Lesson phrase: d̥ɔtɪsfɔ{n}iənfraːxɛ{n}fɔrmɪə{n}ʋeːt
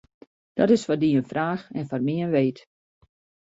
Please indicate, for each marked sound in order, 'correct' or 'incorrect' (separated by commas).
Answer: incorrect, correct, correct